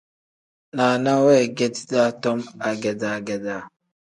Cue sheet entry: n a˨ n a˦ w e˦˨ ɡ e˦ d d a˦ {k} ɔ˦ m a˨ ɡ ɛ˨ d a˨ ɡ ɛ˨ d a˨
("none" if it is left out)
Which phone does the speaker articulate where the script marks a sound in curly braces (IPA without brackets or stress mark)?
t